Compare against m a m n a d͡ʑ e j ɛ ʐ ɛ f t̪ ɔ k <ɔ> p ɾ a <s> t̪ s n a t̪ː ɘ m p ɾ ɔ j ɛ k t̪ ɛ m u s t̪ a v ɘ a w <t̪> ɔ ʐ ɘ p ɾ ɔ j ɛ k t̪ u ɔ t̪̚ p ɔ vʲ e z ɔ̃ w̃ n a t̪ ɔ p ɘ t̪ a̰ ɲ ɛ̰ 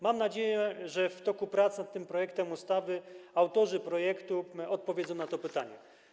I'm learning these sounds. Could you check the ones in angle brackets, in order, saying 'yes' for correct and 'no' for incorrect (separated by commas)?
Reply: no, no, yes